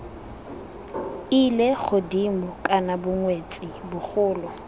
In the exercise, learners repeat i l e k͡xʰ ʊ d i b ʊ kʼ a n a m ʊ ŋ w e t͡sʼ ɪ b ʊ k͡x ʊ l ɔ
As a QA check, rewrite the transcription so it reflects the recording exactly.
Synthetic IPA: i l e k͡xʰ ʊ d i m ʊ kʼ a n a b ʊ ŋ w e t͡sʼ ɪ b ʊ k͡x ʊː l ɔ